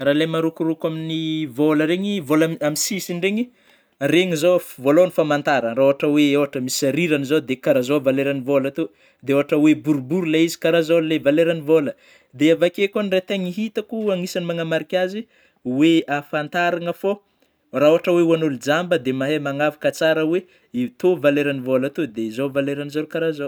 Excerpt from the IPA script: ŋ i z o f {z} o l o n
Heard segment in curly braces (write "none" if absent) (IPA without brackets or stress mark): v